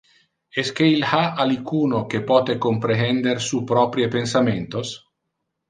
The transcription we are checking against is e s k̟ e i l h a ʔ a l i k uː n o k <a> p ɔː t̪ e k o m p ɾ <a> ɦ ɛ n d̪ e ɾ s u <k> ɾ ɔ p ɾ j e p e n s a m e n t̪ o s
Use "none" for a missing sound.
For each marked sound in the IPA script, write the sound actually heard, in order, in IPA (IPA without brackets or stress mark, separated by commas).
e, e, p